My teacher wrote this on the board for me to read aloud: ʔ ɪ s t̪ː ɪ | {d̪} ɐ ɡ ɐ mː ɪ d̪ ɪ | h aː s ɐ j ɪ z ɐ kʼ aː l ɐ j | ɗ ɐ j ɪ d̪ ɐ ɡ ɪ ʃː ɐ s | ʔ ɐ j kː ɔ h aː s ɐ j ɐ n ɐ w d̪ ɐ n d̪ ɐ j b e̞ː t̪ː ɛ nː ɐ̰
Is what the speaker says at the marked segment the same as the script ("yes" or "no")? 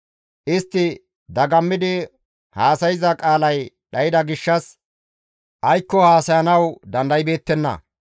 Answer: yes